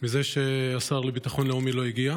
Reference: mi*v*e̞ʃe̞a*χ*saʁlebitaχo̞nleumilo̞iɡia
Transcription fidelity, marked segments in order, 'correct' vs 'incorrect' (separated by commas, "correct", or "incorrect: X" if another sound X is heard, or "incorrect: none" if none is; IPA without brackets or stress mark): incorrect: z, incorrect: none